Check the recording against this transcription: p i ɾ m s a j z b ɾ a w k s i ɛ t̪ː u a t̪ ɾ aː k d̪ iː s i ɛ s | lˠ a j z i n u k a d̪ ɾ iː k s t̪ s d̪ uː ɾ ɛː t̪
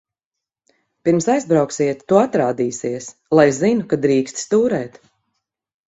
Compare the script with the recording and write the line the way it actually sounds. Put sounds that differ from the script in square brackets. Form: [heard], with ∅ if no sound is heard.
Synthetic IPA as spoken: p i ɾ m s a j z b ɾ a w k s i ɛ t̪ː u a t̪ ɾ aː [∅] d̪ iː s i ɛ s | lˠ a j z i n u k a d̪ ɾ iː k s t̪ s [t̪] uː ɾ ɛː t̪